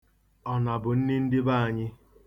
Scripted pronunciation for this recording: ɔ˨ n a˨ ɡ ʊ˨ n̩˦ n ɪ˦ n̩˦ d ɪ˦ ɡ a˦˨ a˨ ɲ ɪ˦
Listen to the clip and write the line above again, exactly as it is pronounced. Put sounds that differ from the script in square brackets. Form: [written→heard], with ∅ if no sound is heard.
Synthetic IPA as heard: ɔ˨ n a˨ [ɡ→b] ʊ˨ n̩˦ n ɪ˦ n̩˦ d ɪ˦ [ɡ→b] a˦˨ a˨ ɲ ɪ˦